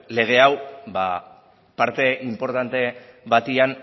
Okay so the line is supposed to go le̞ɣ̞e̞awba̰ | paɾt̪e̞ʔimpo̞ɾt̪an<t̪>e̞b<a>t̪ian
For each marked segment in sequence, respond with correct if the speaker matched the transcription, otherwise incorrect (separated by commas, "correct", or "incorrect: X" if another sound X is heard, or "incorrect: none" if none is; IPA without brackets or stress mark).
correct, correct